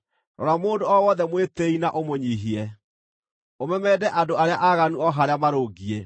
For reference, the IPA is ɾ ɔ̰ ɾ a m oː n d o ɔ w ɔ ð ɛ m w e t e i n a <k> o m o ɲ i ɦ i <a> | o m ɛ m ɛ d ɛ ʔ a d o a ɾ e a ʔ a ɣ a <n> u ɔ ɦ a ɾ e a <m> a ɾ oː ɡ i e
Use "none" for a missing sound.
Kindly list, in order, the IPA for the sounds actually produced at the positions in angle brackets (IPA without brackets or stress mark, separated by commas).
ʔ, ɛ, n, m